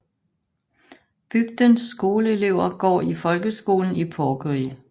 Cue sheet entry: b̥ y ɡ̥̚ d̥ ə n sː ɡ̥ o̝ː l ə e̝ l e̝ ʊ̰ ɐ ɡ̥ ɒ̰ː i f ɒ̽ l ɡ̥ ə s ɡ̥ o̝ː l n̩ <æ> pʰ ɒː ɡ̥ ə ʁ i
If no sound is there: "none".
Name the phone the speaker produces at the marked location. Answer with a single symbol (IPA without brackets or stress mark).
i